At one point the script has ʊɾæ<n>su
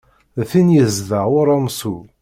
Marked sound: incorrect: m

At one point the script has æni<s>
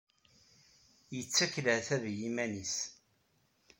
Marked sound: correct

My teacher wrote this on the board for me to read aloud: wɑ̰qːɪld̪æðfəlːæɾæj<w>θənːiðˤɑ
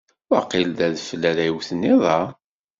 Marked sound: correct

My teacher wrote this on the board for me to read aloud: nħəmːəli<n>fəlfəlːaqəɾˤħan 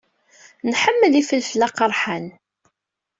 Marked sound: incorrect: none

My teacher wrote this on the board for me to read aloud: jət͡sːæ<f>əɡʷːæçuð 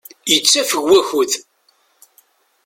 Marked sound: correct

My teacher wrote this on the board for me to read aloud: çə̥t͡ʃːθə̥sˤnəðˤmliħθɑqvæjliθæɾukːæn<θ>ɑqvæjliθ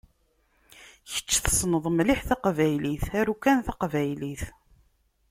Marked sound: correct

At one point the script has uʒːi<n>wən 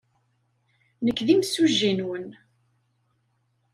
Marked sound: correct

